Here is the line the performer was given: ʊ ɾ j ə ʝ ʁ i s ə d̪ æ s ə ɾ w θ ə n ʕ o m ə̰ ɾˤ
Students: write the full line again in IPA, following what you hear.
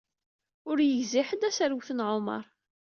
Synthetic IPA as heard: ʊ ɾ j ə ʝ z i ħ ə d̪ æ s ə ɾ w θ ə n ʕ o m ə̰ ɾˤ